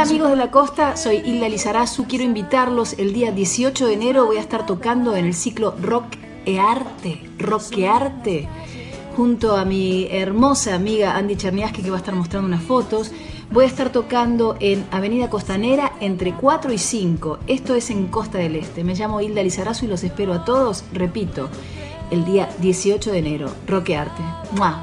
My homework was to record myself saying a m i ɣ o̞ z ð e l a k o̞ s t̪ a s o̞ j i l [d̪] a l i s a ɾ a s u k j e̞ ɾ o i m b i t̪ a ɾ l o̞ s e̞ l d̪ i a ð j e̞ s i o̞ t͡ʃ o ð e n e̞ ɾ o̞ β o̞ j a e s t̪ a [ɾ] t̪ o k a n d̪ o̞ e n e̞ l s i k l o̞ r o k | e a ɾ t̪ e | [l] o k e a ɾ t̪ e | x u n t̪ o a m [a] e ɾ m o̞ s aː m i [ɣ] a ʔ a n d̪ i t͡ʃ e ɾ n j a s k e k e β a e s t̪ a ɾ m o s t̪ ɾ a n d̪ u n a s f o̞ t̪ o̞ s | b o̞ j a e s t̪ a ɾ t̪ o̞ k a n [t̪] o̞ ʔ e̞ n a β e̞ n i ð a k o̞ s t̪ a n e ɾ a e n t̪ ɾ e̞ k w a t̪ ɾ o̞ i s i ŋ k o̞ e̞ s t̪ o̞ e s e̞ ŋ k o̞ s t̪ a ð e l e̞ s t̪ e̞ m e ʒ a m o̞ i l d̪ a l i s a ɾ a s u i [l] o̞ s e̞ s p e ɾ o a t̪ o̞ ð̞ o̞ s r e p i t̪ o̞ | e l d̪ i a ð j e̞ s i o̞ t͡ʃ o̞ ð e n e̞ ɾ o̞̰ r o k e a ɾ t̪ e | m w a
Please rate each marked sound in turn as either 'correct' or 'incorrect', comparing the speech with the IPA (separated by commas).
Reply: correct, correct, incorrect, incorrect, correct, incorrect, correct